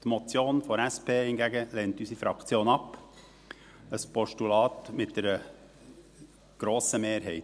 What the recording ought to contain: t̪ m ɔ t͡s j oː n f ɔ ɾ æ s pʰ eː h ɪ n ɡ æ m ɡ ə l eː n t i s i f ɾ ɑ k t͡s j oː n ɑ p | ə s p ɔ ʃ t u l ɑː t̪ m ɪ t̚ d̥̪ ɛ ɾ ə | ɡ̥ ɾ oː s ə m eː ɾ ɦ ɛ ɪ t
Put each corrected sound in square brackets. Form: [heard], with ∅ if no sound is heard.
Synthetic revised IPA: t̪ m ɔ t͡s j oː n f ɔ ɾ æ s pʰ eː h ɪ n ɡ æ [∅] ɡ ə l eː n t [y] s i f ɾ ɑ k t͡s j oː n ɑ p | ə s p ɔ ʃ t u l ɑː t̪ m ɪ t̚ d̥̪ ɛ ɾ ə | ɡ̥ ɾ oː s ə m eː ɾ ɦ ɛ ɪ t